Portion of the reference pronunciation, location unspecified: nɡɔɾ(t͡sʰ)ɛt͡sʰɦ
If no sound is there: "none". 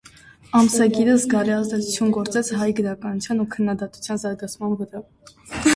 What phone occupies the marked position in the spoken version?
t͡s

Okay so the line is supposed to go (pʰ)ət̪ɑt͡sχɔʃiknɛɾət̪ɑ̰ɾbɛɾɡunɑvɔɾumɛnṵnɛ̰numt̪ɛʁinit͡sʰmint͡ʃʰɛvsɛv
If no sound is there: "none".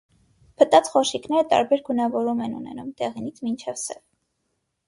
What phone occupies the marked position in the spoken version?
pʰ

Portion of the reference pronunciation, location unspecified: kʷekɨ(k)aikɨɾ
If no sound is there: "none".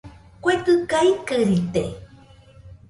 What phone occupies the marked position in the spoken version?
k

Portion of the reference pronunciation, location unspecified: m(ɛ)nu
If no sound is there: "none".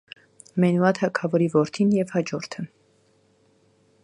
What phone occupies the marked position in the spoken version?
ɛ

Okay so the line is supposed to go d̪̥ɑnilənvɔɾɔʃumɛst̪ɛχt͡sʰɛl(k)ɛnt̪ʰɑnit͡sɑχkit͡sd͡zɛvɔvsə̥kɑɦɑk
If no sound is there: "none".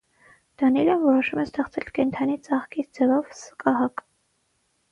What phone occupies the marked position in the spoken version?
k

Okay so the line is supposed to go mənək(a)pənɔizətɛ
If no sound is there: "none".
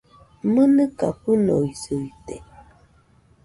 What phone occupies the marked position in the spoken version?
a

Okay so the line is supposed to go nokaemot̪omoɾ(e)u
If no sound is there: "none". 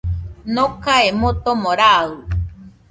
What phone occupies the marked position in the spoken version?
a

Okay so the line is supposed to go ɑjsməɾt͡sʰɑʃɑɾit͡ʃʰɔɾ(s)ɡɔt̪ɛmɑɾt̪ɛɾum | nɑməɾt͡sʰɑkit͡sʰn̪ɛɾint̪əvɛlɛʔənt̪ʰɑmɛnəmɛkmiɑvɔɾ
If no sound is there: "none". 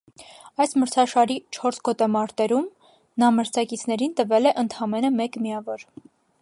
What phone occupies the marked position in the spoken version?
s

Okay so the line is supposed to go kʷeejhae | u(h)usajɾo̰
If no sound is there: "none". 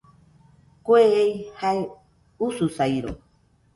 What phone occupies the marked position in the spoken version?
s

